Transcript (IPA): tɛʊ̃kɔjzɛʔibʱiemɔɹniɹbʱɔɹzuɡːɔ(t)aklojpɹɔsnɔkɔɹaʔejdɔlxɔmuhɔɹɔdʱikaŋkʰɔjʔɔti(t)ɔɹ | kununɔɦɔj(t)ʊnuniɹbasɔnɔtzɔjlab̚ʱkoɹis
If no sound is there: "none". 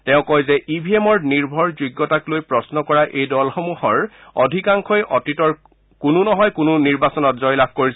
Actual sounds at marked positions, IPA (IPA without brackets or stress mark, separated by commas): t, t, k